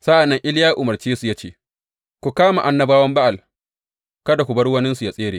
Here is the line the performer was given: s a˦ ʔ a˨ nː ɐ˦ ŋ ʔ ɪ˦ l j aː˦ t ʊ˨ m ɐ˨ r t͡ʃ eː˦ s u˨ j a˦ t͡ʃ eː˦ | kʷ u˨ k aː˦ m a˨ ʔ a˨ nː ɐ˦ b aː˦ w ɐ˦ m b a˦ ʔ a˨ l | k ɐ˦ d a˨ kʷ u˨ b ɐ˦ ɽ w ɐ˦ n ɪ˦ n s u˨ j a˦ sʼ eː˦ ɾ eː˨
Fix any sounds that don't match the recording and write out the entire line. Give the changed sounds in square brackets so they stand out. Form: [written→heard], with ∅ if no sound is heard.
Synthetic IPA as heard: s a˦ ʔ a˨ nː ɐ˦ ŋ ʔ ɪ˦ l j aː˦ [t→ʔ] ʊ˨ m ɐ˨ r t͡ʃ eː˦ s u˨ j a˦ t͡ʃ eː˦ | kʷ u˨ k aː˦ m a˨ ʔ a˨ nː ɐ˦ b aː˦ w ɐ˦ m b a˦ ʔ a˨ l | k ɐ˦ d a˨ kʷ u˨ b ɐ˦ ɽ w ɐ˦ n ɪ˦ n s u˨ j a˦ sʼ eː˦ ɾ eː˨